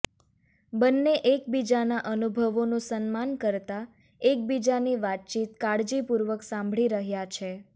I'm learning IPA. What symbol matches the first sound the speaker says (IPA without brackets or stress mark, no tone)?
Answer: b